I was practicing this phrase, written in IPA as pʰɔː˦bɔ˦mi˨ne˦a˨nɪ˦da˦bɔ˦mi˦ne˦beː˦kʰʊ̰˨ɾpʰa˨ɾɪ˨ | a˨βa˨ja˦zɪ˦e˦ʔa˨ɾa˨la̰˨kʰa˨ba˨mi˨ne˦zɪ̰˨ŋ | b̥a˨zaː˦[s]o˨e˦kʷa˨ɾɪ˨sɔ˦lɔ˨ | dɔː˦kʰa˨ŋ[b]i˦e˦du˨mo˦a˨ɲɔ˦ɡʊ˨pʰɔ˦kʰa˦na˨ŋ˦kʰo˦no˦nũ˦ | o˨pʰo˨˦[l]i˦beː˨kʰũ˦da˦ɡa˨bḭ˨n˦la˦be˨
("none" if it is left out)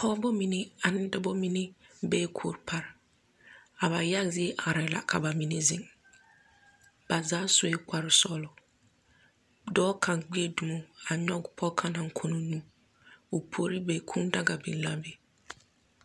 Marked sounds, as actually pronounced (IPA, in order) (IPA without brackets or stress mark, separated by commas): s, ɡ͡b, ɾ